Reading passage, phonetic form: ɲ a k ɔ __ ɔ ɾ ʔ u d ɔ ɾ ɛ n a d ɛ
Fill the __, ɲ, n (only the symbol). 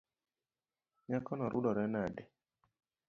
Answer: n